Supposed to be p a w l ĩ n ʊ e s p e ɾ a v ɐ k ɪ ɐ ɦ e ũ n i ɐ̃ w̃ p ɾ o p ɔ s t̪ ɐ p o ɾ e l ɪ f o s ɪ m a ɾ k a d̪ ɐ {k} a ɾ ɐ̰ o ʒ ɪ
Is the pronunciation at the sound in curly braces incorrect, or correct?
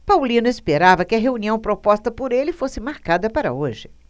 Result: incorrect